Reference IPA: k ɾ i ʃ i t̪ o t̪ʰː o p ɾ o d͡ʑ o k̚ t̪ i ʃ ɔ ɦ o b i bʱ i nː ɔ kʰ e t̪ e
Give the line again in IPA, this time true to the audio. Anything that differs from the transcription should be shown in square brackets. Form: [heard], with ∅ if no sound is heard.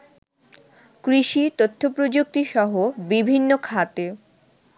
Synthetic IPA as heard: k ɾ i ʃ i t̪ o t̪ʰː o p ɾ o d͡ʑ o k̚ t̪ i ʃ ɔ ɦ o b i bʱ i nː [o] kʰ [a] t̪ e